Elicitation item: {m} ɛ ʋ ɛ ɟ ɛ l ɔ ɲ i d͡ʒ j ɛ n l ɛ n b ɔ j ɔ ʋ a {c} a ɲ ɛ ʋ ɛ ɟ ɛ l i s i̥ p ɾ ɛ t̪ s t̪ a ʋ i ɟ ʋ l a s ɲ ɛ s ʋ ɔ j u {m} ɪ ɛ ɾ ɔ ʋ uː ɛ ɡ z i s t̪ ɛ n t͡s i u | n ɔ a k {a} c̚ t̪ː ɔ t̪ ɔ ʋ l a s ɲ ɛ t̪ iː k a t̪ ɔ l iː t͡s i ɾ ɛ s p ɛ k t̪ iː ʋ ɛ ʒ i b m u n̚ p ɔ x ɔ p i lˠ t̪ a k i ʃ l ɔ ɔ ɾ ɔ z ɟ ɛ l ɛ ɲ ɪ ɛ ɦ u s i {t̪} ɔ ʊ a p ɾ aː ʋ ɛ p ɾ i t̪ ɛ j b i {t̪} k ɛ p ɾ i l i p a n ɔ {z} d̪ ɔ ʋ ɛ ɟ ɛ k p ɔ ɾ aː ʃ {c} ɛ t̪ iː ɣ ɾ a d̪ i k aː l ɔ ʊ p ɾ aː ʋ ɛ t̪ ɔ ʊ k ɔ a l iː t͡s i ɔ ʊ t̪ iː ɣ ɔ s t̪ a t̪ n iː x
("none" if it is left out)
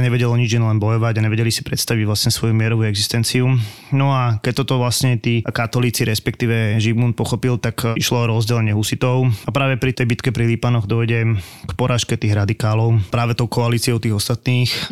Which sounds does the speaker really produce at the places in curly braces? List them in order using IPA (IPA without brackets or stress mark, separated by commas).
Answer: ɲ, ɟ, m, ɛ, t̪, t̪, ɣ, k